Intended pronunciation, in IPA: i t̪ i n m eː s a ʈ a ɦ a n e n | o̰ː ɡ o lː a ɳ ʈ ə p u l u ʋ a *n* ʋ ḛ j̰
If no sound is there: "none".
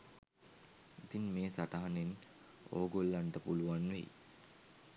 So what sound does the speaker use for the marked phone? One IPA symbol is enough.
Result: n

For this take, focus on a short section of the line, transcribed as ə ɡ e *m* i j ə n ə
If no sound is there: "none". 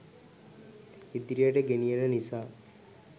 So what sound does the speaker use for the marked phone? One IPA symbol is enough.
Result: n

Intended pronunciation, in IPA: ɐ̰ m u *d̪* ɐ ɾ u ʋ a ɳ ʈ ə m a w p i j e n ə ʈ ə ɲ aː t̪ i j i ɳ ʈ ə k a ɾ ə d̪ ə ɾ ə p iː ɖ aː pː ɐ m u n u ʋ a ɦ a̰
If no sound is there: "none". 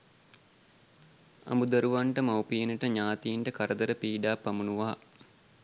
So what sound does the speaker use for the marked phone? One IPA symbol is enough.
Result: d̪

